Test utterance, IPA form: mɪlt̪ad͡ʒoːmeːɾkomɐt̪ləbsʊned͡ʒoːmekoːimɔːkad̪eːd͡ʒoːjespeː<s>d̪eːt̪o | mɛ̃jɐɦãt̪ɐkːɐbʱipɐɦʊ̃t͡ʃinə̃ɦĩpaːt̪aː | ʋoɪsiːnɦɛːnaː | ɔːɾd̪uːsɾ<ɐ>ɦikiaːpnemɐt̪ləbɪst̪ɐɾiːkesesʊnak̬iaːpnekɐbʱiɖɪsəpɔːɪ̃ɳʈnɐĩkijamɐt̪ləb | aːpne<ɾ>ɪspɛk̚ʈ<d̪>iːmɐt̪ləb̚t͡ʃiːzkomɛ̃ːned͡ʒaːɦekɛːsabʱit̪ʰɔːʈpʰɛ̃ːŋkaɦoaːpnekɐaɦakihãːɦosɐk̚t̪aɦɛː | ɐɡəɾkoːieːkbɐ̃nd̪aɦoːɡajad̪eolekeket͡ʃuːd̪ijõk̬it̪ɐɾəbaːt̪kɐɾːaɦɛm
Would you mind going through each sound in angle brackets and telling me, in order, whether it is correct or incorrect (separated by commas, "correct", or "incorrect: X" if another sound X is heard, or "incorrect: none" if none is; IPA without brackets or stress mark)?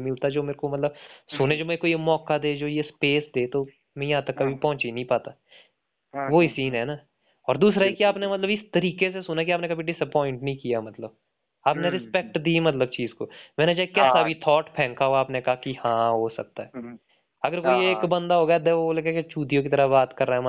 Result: correct, incorrect: a, correct, correct